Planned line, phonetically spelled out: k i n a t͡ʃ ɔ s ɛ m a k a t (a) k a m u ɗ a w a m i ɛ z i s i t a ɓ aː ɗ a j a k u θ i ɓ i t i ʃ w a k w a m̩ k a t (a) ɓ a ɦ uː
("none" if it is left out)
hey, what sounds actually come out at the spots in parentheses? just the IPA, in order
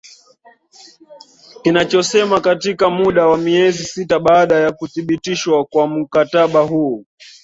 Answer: i, a

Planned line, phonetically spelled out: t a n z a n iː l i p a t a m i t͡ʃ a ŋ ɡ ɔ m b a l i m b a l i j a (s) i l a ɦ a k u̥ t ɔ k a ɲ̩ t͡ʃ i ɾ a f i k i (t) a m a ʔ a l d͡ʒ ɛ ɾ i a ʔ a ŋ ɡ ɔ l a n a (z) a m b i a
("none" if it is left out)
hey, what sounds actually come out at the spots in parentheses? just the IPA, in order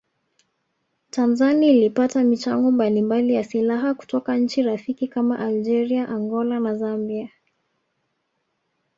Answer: s, k, z

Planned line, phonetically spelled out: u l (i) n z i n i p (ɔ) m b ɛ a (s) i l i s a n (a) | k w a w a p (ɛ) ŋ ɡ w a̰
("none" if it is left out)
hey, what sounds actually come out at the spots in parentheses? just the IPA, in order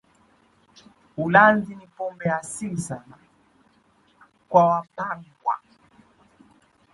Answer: a, ɔ, s, a, a

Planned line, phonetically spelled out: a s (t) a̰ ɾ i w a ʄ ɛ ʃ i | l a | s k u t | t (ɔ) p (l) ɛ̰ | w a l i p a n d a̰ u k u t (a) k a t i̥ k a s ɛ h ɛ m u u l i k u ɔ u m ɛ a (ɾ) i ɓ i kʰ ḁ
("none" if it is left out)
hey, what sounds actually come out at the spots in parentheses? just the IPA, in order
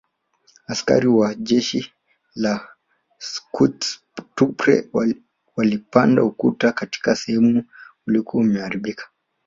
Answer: k, u, ɾ, a, ɾ

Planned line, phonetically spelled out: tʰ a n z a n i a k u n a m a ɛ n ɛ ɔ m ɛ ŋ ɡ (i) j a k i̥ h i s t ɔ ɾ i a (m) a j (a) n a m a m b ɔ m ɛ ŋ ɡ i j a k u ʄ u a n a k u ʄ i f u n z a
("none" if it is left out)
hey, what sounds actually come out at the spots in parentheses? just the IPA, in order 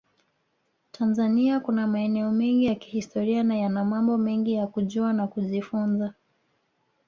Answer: i, n, a

